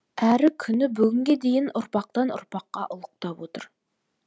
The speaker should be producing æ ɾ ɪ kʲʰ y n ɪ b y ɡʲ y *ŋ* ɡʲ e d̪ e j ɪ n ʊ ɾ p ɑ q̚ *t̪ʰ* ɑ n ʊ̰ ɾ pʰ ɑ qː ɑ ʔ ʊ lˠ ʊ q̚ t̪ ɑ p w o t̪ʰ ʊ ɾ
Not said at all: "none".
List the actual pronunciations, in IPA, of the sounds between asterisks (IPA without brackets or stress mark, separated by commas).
ŋ, t̪